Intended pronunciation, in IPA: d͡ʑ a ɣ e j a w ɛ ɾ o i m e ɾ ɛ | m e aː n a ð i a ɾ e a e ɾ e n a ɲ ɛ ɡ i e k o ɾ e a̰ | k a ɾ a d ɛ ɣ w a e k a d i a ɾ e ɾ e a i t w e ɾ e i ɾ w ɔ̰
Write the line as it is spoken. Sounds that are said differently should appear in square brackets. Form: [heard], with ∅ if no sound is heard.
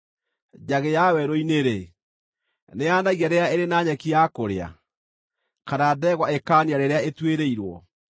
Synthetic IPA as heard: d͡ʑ a ɣ e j a w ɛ ɾ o i [n] e ɾ [e] | [n] e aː n a [ɣ] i a ɾ e a e ɾ e n a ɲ ɛ [k] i [a] k o ɾ e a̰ | k a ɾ a d ɛ ɣ w a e k a [n] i a ɾ e ɾ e a [e] t w e ɾ e i ɾ w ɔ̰